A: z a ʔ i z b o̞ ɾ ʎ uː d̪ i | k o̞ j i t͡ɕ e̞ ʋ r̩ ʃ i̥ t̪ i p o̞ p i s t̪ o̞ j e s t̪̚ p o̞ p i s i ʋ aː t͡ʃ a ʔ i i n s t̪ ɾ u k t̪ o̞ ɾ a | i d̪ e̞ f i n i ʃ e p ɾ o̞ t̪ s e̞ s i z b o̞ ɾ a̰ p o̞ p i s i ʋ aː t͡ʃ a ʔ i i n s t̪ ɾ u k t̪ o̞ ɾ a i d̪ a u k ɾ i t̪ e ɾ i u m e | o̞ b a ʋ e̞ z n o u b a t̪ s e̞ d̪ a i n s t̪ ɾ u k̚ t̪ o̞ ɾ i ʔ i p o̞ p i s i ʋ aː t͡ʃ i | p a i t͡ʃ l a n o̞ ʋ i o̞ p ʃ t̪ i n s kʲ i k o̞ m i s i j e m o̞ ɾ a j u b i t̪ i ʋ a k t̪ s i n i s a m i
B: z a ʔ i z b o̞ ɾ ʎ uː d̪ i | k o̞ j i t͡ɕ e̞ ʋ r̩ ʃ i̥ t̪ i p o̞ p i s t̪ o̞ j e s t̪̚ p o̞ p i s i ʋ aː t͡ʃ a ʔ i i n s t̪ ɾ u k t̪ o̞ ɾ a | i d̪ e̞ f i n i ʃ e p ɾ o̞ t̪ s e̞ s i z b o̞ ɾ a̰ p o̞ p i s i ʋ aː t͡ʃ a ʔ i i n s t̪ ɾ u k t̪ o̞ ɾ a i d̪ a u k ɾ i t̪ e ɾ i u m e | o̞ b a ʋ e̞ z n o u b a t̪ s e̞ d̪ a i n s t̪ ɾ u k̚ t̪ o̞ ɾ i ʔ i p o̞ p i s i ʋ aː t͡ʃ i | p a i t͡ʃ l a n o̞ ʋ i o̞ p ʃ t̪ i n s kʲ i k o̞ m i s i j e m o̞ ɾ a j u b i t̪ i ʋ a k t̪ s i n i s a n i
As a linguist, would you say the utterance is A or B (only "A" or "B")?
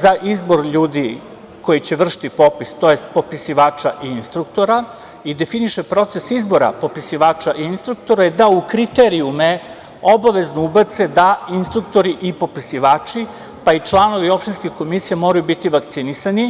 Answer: B